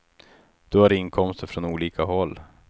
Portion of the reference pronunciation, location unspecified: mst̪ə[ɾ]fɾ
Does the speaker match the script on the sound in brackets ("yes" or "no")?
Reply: yes